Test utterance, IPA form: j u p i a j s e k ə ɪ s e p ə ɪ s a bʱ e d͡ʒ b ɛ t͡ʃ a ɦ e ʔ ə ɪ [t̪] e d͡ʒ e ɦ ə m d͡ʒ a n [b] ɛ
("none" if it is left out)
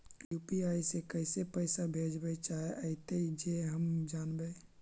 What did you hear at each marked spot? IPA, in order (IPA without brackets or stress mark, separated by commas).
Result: t̪, b